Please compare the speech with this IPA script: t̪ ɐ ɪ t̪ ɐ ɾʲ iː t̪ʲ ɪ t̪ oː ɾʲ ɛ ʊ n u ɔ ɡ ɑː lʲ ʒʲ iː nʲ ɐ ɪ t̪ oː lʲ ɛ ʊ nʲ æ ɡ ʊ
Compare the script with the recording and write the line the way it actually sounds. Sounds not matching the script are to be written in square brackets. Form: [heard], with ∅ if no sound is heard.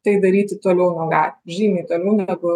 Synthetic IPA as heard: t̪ ɐ ɪ [d̪] ɐ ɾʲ iː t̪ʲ ɪ t̪ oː [lʲ] ɛ ʊ n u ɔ ɡ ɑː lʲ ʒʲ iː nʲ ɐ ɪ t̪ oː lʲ ɛ ʊ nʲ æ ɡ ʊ